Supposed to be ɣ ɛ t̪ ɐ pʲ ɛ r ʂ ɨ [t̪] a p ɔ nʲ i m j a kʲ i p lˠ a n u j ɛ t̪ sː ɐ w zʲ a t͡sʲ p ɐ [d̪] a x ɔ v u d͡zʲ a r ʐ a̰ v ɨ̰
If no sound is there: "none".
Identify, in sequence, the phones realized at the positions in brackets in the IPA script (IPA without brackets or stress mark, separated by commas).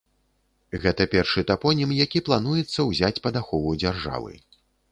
t̪, d̪